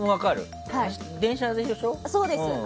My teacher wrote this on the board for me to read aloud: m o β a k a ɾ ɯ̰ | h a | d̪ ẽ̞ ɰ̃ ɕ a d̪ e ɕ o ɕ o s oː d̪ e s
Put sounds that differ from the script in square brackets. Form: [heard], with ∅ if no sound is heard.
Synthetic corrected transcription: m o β a k a ɾ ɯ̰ | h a | d̪ ẽ̞ ɰ̃ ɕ a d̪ e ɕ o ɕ o s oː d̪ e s